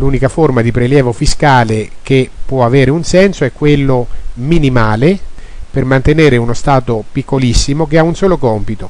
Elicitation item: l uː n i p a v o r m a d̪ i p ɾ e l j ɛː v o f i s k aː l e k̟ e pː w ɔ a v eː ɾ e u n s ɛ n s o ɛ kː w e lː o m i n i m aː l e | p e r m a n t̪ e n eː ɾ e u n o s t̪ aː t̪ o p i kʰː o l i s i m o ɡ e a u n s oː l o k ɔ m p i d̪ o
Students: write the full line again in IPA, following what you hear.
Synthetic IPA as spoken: l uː n i k a f o r m a d̪ i p ɾ e l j ɛː v o f i s k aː l e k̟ e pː w ɔ a v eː ɾ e u n s ɛ n s o ɛ kː w e lː o m i n i m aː l e | p e r m a n t̪ e n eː ɾ e u n o s t̪ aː t̪ o p i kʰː o l i sː i m o k e a u n s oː l o k ɔ m p i t̪ o